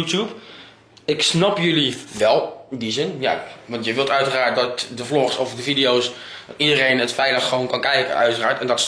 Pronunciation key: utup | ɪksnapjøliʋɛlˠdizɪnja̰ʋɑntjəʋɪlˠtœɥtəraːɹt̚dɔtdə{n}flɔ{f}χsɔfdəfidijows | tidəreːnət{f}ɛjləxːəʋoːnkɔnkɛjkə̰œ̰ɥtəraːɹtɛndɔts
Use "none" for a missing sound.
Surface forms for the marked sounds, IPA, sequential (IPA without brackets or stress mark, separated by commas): none, none, f